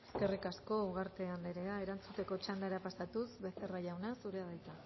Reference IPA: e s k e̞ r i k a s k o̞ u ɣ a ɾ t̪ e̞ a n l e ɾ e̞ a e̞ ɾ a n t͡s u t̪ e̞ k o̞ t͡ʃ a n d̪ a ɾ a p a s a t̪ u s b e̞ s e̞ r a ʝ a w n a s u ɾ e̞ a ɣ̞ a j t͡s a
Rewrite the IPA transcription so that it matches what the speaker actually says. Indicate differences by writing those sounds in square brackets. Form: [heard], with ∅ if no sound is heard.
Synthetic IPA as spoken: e s k e̞ r i k a s k o̞ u ɣ a ɾ t̪ e̞ a n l e ɾ e̞ a e̞ ɾ a n t͡s u t̪ e̞ k o̞ t͡ʃ a n d̪ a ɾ a p a s a t̪ u s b e̞ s e̞ r a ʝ a w n a s u ɾ e̞ a [ð̞] a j t͡s a